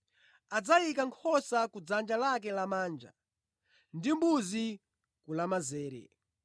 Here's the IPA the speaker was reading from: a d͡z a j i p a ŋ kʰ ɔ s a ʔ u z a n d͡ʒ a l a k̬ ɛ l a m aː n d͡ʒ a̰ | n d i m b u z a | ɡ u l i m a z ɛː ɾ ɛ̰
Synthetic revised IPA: a d͡z a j i k a ŋ kʰ ɔ s a k u d͡z a n d͡ʒ a l a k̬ ɛ l a m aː n d͡ʒ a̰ | n d i m b u z i | k u l a m a z ɛː ɾ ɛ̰